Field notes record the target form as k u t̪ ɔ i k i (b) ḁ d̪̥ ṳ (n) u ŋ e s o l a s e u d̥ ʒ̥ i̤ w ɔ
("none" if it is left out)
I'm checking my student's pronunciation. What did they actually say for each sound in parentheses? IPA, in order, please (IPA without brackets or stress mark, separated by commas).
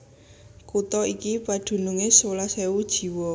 p, n